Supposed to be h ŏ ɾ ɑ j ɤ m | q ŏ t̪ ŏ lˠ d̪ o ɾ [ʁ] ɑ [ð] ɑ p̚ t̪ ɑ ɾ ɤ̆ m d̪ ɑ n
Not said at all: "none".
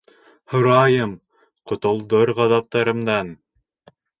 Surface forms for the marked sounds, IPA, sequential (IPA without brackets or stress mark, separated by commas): ʁ, ð